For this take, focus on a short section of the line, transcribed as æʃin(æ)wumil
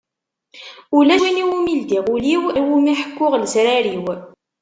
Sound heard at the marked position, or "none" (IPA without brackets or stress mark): i